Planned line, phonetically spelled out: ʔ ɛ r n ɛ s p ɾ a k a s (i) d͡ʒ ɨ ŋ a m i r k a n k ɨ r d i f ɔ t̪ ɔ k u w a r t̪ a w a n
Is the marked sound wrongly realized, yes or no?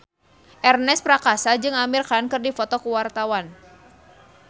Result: yes